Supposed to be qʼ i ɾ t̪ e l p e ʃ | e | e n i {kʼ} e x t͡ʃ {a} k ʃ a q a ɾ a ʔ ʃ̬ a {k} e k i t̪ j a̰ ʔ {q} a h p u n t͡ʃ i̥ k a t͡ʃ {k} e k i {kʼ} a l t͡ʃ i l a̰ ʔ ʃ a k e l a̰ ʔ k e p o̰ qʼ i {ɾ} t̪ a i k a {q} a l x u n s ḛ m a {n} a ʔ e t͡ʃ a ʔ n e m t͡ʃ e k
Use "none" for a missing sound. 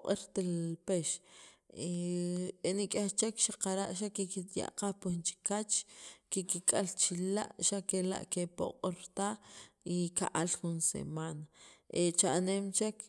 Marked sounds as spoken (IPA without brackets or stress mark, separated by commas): kʼ, e, k, q, k, kʼ, ɾ, ʔ, n